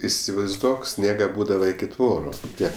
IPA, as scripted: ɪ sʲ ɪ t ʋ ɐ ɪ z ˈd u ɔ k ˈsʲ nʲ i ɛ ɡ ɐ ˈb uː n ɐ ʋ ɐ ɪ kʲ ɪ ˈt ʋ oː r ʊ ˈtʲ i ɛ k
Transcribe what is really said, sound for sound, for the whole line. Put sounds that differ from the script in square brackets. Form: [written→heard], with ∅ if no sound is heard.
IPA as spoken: ɪ sʲ ɪ [t→∅] ʋ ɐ ɪ z ˈd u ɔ k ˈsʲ nʲ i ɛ ɡ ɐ ˈb uː [n→d] ɐ ʋ ɐ ɪ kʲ ɪ ˈt ʋ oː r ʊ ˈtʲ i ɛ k